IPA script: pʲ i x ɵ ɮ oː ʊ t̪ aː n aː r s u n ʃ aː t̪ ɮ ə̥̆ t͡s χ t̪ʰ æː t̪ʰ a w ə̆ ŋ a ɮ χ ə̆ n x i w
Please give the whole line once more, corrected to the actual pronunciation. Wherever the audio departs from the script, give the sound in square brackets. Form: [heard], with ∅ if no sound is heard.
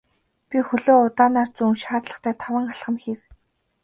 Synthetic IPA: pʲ i x ɵ ɮ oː ʊ t̪ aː n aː r [t͡s] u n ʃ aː t̪ ɮ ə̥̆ [∅] χ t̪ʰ æː t̪ʰ a w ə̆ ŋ a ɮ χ ə̆ [m] x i w